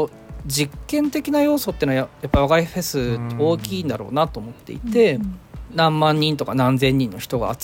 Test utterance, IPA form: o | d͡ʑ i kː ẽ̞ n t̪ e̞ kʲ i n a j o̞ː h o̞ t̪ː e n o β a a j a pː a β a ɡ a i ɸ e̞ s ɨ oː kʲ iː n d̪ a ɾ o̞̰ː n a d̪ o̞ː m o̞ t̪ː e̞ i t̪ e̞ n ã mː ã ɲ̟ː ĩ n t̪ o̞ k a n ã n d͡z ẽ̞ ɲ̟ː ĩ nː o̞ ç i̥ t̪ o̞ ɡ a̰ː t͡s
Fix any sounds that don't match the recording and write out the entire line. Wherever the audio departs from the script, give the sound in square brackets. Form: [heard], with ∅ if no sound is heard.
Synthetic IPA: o | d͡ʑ i kː ẽ̞ n t̪ e̞ kʲ i n a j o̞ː [s] o̞ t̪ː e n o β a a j a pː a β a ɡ a i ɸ e̞ s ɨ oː kʲ iː n d̪ a ɾ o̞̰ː n a [t̪] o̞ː m o̞ t̪ː e̞ i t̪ e̞ n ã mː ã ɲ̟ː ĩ n t̪ o̞ k a n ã n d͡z ẽ̞ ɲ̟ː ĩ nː o̞ ç i̥ t̪ o̞ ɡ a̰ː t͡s